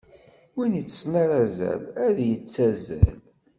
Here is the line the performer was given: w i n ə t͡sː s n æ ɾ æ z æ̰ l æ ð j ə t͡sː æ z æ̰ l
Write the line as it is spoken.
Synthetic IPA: w i n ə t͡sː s n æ ɾ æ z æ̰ l æ ð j ə t͡sː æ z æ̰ l